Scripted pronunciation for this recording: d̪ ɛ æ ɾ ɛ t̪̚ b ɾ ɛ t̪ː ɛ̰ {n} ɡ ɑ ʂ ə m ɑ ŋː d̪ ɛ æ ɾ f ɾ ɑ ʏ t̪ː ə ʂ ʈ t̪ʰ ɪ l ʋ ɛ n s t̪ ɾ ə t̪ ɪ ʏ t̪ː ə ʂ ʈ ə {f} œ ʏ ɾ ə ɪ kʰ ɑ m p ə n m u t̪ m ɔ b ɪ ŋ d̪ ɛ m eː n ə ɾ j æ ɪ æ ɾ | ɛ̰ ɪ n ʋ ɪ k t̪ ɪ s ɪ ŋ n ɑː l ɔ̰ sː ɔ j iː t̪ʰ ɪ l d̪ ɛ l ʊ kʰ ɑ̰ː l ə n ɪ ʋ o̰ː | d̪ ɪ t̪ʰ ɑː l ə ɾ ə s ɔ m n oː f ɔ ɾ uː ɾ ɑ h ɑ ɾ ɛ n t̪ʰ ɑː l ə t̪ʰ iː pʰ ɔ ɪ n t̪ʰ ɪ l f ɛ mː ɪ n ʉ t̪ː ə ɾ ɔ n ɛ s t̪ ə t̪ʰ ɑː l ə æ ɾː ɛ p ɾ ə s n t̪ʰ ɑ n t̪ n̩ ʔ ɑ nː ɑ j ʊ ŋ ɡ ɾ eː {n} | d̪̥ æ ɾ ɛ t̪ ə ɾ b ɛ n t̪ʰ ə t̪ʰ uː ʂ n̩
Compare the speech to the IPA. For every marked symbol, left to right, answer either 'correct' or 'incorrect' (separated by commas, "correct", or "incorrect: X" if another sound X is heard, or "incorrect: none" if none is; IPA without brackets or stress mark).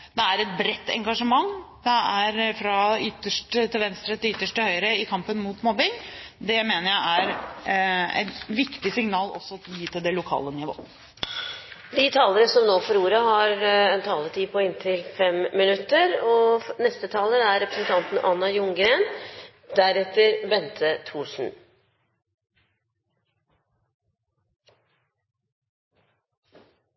incorrect: ŋ, incorrect: h, correct